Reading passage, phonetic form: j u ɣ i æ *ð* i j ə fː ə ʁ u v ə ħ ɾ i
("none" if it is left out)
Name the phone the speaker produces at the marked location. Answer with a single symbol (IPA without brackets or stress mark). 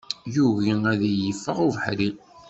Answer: ð